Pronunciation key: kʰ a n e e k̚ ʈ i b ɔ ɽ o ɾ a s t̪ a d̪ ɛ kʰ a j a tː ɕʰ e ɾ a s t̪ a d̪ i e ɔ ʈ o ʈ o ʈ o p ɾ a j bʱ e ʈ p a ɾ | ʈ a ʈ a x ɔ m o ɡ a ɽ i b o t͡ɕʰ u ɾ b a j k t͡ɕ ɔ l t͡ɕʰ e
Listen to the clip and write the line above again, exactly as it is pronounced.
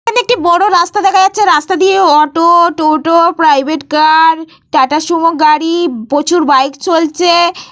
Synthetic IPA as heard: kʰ a n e e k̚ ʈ i b ɔ ɽ o ɾ a s t̪ a d̪ ɛ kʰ a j a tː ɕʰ e ɾ a s t̪ a d̪ i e ɔ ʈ o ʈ o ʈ o p ɾ a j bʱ e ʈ k a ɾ | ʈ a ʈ a ʃ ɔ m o ɡ a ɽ i b o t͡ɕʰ u ɾ b a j k t͡ɕ o l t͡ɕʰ e